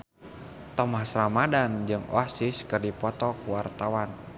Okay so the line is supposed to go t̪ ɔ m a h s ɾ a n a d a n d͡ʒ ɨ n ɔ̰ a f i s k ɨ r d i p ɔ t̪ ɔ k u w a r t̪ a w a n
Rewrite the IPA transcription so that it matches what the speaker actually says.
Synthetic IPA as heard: t̪ ɔ m a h s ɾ a m a d a n d͡ʒ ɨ ŋ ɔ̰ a s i s k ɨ r d i p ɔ t̪ ɔ k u w a r t̪ a w a n